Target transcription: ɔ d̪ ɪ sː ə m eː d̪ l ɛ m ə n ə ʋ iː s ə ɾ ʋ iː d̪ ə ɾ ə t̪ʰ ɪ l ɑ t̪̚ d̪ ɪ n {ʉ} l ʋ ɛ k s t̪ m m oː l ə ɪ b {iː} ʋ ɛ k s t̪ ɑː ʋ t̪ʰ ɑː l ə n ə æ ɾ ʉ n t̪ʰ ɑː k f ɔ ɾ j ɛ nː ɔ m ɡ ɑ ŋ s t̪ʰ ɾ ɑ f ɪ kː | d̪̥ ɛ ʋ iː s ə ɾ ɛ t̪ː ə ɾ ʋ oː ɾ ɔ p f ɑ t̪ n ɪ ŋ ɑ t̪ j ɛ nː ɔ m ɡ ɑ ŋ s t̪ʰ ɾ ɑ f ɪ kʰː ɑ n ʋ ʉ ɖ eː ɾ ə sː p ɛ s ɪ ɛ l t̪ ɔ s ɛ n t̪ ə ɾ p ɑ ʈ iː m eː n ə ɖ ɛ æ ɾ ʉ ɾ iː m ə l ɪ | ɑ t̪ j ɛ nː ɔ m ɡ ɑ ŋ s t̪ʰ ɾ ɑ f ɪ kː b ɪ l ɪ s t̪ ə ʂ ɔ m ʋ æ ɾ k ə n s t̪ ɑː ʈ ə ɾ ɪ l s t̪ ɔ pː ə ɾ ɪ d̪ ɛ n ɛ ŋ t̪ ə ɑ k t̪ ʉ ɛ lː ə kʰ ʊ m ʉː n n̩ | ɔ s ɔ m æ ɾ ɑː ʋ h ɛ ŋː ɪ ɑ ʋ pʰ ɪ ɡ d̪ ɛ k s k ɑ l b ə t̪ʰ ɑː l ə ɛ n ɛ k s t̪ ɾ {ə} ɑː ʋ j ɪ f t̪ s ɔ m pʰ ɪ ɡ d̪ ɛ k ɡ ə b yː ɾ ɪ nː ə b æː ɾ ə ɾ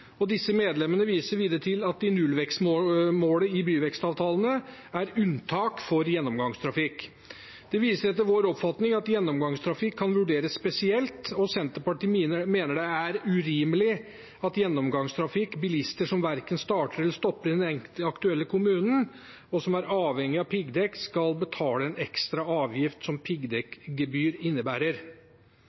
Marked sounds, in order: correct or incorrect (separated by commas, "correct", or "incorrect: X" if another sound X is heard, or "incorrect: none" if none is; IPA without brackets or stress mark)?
correct, incorrect: yː, incorrect: ɑ